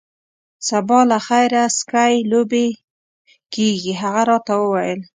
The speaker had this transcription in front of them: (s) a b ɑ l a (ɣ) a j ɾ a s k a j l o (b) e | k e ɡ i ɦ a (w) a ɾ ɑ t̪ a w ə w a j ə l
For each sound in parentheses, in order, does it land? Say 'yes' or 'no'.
yes, no, yes, no

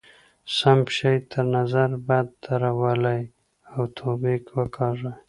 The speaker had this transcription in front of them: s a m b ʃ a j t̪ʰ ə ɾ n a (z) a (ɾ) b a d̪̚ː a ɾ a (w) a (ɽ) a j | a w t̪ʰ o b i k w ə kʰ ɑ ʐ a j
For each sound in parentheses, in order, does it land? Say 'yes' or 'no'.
yes, yes, yes, no

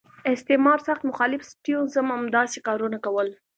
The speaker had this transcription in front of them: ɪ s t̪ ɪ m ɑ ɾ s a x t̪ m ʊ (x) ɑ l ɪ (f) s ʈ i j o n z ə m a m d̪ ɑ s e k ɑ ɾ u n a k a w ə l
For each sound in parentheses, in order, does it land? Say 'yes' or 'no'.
yes, yes

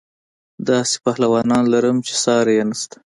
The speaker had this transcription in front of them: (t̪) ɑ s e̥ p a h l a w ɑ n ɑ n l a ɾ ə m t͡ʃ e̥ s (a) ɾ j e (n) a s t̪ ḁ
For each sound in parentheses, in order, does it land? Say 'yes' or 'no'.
no, no, yes

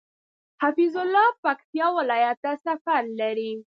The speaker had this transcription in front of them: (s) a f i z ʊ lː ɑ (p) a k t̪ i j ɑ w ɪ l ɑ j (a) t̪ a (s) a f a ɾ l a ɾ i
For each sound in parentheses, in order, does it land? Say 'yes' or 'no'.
no, yes, yes, yes

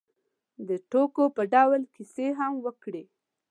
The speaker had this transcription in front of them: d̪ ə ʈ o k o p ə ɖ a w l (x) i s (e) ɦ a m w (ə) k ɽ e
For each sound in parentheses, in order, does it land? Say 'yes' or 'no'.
no, yes, yes

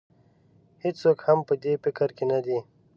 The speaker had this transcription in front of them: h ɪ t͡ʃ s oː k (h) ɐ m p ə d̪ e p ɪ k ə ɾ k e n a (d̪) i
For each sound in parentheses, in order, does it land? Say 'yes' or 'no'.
yes, yes

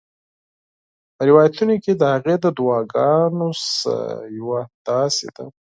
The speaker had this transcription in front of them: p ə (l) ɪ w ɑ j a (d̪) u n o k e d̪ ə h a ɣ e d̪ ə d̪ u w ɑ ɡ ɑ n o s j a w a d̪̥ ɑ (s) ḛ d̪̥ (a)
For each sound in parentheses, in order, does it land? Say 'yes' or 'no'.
no, no, yes, yes

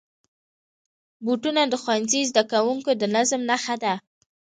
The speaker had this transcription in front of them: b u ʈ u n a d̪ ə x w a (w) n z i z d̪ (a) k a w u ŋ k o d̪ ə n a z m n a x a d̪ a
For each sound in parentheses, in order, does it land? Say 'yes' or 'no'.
no, yes

